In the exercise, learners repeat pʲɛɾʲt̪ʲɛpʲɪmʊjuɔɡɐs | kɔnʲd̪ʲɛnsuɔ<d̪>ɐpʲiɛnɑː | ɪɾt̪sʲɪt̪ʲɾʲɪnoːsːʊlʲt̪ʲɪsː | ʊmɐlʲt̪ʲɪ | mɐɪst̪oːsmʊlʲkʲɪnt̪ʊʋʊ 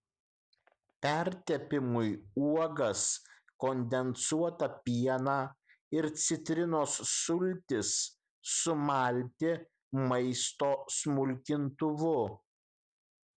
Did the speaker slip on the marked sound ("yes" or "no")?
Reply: yes